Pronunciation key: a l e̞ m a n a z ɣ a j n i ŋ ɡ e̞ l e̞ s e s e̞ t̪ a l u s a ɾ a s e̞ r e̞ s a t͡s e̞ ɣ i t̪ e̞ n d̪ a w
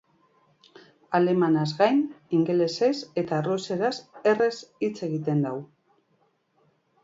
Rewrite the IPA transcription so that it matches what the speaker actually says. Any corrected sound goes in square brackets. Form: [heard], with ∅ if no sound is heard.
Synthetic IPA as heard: a l e̞ m a n a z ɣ a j n i ŋ ɡ e̞ l e̞ s e s e̞ t̪ a [r] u s [e] ɾ a s e̞ r e̞ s [i] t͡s e̞ ɣ i t̪ e̞ n d̪ a w